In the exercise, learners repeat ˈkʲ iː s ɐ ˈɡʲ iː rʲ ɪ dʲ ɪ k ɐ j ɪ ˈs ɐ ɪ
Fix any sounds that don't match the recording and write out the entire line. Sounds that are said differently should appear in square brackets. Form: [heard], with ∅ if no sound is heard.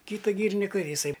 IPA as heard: ˈkʲ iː [t] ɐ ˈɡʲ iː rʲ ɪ [nʲ] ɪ k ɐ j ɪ ˈs ɐ ɪ

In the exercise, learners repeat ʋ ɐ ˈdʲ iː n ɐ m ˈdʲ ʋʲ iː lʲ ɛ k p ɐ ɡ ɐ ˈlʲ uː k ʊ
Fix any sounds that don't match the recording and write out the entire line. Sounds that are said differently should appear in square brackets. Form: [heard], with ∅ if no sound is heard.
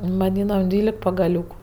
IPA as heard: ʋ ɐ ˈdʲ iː n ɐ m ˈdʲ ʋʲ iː lʲ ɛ k p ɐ ɡ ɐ ˈlʲ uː k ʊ

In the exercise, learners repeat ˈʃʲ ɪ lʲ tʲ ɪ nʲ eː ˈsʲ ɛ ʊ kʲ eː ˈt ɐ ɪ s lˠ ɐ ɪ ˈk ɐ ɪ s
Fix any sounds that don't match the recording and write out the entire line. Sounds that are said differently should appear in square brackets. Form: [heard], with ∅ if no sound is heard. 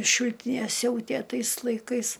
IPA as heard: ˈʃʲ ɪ lʲ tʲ ɪ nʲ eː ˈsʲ ɛ ʊ [tʲ] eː ˈt ɐ ɪ s lˠ ɐ ɪ ˈk ɐ ɪ s

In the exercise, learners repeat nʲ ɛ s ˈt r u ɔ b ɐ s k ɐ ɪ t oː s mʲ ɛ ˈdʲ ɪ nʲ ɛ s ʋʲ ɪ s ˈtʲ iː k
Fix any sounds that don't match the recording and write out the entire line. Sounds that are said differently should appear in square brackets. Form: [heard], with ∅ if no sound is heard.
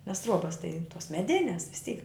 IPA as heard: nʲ ɛ s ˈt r u ɔ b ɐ s [t] ɐ ɪ t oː s mʲ ɛ ˈdʲ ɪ nʲ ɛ s ʋʲ ɪ s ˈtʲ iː k

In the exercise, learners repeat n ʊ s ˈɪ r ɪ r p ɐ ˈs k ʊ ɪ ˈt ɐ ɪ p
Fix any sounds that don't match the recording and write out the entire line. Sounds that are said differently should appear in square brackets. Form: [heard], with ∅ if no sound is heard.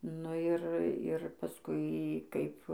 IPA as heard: n ʊ [∅] ˈɪ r ɪ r p ɐ ˈs k ʊ ɪ [ˈk] ɐ ɪ p

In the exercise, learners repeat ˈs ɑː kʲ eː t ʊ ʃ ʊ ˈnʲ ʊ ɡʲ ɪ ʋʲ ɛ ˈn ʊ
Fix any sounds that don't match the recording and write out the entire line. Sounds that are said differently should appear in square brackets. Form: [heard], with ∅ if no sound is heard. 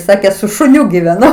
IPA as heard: ˈs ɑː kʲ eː [s] ʊ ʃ ʊ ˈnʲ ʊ ɡʲ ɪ ʋʲ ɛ ˈn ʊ

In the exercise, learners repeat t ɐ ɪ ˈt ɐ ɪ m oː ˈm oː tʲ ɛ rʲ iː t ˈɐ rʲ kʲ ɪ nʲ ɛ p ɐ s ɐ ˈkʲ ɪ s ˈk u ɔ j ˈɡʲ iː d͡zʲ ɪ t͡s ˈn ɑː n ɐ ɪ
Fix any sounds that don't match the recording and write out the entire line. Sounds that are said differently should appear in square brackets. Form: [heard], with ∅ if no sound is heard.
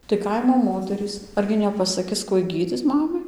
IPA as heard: t ɐ ɪ [ˈk] ɐ ɪ m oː ˈm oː tʲ ɛ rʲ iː [s] ˈɐ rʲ [ɡʲ] ɪ nʲ ɛ p ɐ s ɐ ˈkʲ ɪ s ˈk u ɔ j ˈɡʲ iː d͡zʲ ɪ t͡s [ˈm] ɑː [m] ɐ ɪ

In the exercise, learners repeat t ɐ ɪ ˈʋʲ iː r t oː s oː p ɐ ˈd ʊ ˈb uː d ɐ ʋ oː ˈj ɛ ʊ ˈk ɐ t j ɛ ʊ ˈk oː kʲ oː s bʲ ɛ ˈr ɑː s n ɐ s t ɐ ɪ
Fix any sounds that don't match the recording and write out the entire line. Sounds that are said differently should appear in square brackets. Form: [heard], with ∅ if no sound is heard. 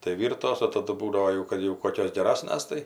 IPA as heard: t ɐ ɪ ˈʋʲ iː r t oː s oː [t] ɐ ˈd ʊ ˈb uː d ɐ ʋ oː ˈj ɛ ʊ ˈk ɐ t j ɛ ʊ ˈk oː kʲ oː s [ɡʲ] ɛ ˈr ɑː s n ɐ s t ɐ ɪ

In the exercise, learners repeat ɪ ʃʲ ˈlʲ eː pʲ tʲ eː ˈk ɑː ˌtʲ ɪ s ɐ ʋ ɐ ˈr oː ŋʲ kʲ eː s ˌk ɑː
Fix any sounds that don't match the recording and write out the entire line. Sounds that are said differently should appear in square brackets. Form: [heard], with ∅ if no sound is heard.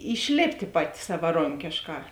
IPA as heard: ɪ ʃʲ ˈlʲ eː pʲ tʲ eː [ˈp] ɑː ˌtʲ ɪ s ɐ ʋ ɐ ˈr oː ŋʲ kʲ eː [ʃ] ˌk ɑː

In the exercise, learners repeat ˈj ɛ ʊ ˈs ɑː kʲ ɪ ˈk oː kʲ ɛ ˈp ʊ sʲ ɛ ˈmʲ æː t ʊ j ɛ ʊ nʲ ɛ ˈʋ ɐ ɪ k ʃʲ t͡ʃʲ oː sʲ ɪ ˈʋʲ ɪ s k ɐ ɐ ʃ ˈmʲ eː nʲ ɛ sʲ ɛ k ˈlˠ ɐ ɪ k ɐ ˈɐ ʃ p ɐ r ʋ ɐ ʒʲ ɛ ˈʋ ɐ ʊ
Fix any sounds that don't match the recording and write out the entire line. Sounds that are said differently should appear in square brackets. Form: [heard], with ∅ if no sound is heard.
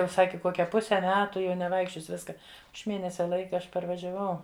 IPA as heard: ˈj ɛ ʊ ˈs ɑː kʲ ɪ ˈk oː kʲ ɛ ˈp ʊ sʲ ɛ ˈmʲ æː t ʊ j ɛ ʊ nʲ ɛ ˈʋ ɐ ɪ k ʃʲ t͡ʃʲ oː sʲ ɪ ˈʋʲ ɪ s k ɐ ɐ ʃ ˈmʲ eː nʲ ɛ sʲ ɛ [∅] ˈlˠ ɐ ɪ k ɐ ˈɐ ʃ p ɐ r ʋ ɐ ʒʲ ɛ ˈʋ ɐ ʊ

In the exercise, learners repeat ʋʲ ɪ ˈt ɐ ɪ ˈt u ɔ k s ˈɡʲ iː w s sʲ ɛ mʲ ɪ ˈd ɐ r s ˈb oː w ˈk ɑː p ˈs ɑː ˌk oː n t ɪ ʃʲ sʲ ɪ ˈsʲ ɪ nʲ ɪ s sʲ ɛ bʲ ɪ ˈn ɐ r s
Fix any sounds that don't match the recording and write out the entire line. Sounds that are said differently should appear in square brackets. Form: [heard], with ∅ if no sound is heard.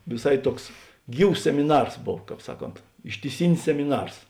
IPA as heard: ʋʲ ɪ [ˈs] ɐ ɪ ˈt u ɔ k s ˈɡʲ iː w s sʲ ɛ mʲ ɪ [ˈn] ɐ r s ˈb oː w ˈk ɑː p ˈs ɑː ˌk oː n t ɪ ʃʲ [tʲ] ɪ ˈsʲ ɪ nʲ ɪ s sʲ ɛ [mʲ] ɪ ˈn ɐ r s

